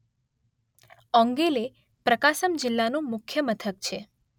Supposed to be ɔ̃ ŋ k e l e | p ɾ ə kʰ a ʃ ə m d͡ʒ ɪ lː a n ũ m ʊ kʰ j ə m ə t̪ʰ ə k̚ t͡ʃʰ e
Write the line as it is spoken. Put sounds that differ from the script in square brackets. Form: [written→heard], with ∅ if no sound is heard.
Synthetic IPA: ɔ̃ ŋ [k→ɡ] e l e | p ɾ ə [kʰ→k] a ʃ ə m d͡ʒ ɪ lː a n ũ m ʊ kʰ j ə m ə t̪ʰ ə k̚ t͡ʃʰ e